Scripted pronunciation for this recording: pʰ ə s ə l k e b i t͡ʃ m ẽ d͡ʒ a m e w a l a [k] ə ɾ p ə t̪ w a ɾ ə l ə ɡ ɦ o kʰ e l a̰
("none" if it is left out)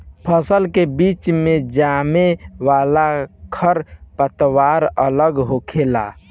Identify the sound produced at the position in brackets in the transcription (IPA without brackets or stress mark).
kʰ